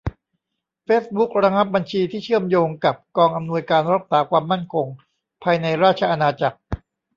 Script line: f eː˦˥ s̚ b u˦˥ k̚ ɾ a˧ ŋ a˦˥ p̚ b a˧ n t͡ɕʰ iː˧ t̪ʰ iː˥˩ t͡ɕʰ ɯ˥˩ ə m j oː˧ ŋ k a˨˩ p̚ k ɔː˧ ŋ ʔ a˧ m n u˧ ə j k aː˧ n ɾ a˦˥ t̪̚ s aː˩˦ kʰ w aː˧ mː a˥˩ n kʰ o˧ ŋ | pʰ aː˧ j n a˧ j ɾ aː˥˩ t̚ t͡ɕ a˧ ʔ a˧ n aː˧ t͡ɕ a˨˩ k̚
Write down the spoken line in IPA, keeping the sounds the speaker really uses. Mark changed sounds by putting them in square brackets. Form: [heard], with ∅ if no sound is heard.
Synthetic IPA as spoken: f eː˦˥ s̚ b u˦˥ k̚ ɾ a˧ ŋ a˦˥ p̚ b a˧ n t͡ɕʰ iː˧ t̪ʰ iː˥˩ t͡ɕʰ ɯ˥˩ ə m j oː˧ ŋ k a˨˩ p̚ k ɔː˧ ŋ ʔ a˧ m n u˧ ə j k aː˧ n ɾ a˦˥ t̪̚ s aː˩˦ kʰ w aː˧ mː a˥˩ n kʰ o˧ ŋ | pʰ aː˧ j n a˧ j ɾ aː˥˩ t̚ [t͡ɕʰ] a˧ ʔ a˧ n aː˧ t͡ɕ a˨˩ k̚